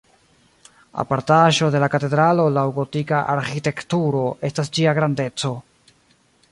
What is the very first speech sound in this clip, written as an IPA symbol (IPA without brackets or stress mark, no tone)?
a̰